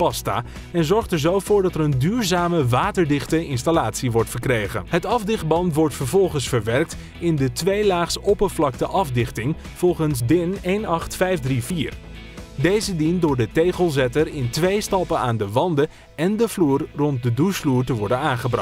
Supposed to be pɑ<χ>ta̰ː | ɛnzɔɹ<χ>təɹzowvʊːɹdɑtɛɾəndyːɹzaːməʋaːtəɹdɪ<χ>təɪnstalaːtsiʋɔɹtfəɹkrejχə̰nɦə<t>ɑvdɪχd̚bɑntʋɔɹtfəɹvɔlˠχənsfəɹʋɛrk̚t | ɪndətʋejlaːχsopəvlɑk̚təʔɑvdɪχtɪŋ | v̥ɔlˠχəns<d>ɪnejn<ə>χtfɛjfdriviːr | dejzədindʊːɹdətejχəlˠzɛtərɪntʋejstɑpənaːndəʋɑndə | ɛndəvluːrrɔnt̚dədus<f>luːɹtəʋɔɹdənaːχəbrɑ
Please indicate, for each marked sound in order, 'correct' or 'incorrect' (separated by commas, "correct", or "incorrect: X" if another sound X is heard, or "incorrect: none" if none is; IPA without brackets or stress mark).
incorrect: s, correct, correct, correct, correct, incorrect: ɑ, correct